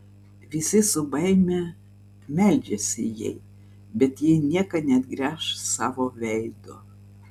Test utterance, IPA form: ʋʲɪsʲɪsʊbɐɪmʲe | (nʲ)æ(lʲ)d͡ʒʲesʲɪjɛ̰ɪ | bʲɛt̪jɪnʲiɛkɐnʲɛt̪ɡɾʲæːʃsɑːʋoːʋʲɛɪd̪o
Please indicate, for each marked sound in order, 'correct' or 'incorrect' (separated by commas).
incorrect, correct